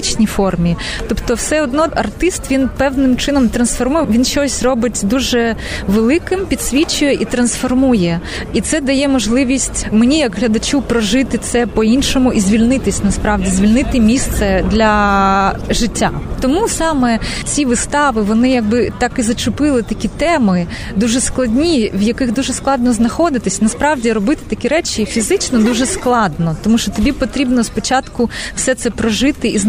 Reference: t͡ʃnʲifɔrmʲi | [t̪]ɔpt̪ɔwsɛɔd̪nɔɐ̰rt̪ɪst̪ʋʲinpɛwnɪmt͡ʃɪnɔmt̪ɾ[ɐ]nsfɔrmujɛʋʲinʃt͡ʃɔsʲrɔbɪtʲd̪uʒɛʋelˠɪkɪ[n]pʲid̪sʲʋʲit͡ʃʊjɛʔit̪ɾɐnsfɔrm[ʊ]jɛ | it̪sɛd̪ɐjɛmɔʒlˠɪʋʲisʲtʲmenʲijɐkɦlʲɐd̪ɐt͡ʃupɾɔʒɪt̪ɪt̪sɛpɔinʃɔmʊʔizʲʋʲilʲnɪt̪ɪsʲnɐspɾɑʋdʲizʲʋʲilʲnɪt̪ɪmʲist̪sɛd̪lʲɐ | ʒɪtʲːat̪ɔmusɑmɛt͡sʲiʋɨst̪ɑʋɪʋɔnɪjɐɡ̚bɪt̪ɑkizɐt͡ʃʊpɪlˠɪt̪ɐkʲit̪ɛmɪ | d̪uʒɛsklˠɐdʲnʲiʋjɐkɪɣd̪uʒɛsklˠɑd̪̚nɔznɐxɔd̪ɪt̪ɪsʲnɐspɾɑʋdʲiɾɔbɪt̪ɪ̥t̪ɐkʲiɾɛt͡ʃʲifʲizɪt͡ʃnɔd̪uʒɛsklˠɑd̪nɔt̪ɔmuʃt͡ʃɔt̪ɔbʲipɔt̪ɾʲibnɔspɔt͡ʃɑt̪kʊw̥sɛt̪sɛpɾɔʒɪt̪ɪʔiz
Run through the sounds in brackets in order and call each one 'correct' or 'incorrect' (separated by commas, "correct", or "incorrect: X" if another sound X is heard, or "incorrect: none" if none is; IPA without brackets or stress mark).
correct, correct, incorrect: m, incorrect: u